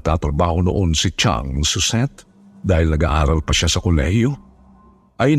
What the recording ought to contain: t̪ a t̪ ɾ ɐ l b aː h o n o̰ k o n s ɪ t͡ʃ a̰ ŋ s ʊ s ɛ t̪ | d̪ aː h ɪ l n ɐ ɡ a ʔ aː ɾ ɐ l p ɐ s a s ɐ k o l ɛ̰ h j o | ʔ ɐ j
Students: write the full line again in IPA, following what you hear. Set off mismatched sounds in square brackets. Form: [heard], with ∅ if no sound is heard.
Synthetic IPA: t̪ a t̪ ɾ ɐ [∅] b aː h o n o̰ [ʔ] o n s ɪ t͡ʃ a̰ ŋ s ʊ s ɛ t̪ | d̪ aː h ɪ l n ɐ ɡ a ʔ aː ɾ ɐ l p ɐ [ʃ] a s ɐ k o l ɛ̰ h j o | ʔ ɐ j